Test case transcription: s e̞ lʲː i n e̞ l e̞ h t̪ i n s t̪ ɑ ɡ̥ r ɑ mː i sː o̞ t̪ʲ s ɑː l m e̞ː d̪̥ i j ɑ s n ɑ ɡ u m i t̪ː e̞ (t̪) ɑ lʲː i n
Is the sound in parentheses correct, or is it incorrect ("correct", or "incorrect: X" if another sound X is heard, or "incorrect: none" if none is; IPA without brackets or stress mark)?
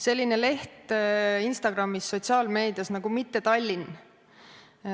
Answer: correct